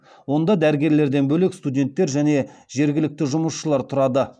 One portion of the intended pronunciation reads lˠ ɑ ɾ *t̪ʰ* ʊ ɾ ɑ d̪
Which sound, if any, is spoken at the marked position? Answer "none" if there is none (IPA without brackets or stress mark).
t̪ʰ